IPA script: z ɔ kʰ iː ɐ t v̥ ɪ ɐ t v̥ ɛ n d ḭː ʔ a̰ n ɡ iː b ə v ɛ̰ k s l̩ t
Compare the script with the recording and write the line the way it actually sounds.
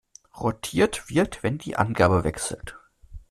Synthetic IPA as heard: ʁ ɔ tʰ iː ɐ t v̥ ɪ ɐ t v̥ ɛ n d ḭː ʔ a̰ n ɡ aː b ə v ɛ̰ k s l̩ t

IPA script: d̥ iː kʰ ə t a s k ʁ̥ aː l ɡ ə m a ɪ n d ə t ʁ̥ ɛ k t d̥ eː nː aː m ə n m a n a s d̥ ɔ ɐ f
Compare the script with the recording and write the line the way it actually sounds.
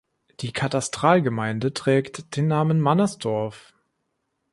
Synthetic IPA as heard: d̥ iː kʰ a t a s t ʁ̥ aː l ɡ ə m a ɪ n d ə t ʁ̥ ɛː k t d̥ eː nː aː m ə n m a n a s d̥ ɔ ɐ f

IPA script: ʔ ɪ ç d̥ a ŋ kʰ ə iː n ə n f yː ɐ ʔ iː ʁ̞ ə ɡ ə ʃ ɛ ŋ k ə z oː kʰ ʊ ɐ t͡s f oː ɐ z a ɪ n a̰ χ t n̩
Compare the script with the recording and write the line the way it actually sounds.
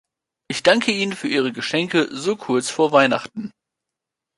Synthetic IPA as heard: ʔ ɪ ç d̥ a ŋ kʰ ə iː n ə n f yː ɐ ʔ iː ʁ̞ ə ɡ ə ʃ ɛ ŋ k ə z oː kʰ ʊ ɐ t͡s f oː ɐ v a ɪ n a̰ χ t n̩

